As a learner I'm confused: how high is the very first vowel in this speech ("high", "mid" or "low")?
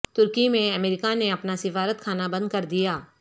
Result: high